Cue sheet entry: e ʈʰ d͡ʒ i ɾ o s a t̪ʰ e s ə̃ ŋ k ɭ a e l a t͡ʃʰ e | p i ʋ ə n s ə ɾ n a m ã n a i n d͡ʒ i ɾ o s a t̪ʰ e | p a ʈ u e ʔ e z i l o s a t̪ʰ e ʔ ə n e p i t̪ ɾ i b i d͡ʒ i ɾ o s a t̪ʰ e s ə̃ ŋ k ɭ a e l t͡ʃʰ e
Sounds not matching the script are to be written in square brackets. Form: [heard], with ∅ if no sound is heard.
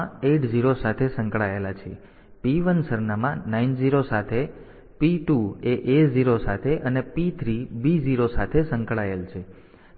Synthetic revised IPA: e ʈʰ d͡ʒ i ɾ o s a t̪ʰ e s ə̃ ŋ k ɭ a e l a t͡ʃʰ e | p i ʋ ə n s ə ɾ n a m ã n a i n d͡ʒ i ɾ o s a t̪ʰ e | p [i] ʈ u e ʔ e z i [ɾ] o s a t̪ʰ e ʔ ə n e p i [t̪ʰ] ɾ i b i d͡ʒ i ɾ o s a t̪ʰ e s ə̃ ŋ k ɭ a e l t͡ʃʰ e